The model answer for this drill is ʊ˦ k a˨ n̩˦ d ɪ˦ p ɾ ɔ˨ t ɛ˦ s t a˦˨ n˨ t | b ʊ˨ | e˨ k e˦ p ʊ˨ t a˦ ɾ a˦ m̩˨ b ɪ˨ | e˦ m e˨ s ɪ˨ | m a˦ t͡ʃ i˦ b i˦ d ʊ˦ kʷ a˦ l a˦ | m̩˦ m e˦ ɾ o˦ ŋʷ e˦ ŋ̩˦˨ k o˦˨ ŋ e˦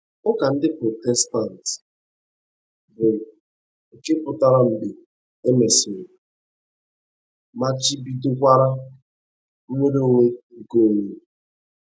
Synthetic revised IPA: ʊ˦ k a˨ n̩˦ d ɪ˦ p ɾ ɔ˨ t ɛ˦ s t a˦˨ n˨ t | b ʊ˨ | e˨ k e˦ p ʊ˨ t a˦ ɾ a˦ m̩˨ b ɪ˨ | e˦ m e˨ s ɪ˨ | m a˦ t͡ʃ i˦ b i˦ d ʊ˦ kʷ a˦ ɾ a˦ | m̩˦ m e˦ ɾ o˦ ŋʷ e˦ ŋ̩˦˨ k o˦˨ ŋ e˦

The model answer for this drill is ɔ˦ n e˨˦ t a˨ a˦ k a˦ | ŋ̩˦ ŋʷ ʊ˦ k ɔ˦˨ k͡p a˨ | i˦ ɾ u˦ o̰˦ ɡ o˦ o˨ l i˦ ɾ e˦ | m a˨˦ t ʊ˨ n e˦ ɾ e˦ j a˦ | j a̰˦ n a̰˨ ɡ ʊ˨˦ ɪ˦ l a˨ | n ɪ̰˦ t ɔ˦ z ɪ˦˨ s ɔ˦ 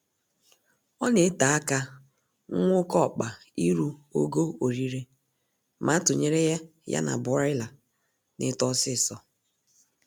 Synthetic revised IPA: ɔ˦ n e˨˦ t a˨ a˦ k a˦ | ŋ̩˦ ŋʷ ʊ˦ k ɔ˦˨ k͡p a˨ | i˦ ɾ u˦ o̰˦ ɡ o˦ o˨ ɾ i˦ ɾ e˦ | m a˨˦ t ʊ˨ ɲ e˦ ɾ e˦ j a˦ | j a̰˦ n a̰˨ b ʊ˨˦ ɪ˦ l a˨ | n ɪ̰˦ t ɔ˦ s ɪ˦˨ s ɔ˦

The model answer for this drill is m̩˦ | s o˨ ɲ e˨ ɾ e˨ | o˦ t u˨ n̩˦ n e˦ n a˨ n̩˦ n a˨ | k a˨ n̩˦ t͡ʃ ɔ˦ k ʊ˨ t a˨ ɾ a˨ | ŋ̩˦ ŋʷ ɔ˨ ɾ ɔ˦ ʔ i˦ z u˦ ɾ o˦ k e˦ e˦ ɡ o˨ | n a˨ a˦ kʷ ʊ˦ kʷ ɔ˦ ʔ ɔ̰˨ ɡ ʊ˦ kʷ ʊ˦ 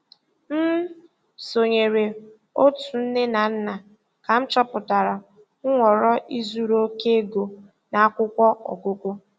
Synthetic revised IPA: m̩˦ | s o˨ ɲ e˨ ɾ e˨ | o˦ t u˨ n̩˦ n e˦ n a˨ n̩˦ n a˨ | k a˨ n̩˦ t͡ʃ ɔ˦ p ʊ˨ t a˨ ɾ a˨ | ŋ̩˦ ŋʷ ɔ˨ ɾ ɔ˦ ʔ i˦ z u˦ ɾ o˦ k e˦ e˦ ɡ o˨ | n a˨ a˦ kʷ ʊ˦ kʷ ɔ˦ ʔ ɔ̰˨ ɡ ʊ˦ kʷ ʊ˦

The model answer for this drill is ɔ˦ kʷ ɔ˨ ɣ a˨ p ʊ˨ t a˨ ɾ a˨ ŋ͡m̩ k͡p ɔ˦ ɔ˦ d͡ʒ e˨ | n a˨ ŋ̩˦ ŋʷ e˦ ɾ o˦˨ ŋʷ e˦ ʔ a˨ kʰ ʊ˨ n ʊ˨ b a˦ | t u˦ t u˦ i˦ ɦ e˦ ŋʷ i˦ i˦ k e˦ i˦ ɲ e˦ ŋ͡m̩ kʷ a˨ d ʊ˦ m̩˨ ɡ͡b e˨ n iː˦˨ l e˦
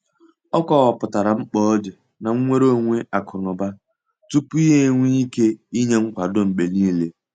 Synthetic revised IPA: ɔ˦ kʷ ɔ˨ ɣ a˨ p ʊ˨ t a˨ ɾ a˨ ŋ͡m̩ k͡p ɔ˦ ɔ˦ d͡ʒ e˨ | n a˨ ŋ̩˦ ŋʷ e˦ ɾ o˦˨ ŋʷ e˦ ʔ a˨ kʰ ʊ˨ n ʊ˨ b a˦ | t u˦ p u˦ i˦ ɦ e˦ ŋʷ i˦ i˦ k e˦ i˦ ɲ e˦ ŋ͡m̩ kʷ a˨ d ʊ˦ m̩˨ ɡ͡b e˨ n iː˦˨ l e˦

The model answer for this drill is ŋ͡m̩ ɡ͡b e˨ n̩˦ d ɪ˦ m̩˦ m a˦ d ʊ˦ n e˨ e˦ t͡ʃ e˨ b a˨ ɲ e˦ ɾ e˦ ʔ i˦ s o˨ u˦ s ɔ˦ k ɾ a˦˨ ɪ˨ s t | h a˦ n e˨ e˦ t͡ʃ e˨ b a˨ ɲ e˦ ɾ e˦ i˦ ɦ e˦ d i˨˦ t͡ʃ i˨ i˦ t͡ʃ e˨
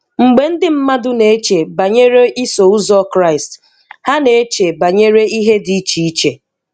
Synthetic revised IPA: ŋ͡m̩ ɡ͡b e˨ n̩˦ d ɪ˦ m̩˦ m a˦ d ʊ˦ n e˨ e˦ t͡ʃ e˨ b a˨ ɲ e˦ ɾ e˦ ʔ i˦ s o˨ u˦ z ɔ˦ k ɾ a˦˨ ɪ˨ s t | h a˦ n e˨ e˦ t͡ʃ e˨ b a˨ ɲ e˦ ɾ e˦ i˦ ɦ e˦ d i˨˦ t͡ʃ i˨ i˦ t͡ʃ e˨

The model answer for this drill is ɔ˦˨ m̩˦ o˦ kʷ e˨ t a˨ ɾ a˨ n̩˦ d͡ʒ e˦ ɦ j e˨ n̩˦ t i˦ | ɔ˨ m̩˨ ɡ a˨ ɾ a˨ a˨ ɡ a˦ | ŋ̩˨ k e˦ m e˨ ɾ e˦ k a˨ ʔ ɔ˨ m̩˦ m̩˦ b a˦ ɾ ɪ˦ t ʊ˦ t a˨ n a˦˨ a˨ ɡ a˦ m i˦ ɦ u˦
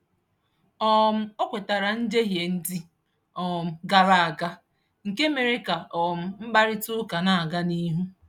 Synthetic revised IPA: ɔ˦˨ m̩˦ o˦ kʷ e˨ t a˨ ɾ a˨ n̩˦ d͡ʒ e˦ ɦ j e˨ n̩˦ d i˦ | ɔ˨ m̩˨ ɡ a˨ ɾ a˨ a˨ ɡ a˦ | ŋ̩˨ k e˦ m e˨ ɾ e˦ k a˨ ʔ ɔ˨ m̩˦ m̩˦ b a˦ ɾ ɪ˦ t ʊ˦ k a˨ n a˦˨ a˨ ɡ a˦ n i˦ ɦ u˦

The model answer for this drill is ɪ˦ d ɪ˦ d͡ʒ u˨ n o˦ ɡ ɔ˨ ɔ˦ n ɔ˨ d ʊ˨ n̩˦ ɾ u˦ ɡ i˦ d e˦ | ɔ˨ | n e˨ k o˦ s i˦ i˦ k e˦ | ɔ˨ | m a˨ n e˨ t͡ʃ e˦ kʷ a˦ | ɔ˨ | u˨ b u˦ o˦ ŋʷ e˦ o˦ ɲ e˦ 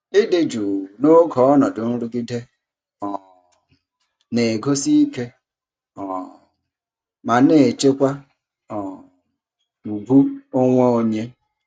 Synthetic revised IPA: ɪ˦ d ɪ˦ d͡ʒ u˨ n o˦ ɡ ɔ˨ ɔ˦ n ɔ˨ d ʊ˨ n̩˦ ɾ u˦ ɡ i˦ d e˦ | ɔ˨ | n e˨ ɡ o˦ s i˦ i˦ k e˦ | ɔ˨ | m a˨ n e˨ t͡ʃ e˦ kʷ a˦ | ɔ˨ | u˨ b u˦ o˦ ŋʷ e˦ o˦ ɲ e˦

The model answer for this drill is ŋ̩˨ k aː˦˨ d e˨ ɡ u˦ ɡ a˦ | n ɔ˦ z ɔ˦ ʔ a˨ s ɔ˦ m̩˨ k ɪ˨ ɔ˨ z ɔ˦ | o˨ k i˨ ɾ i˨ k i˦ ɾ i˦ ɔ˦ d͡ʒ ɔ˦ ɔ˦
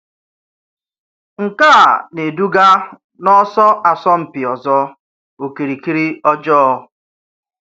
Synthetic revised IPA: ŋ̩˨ k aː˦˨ n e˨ d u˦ ɡ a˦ | n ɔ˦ s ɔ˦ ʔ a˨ s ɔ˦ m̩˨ p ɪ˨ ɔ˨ z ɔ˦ | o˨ k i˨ ɾ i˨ k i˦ ɾ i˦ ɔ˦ d͡ʒ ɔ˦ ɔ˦

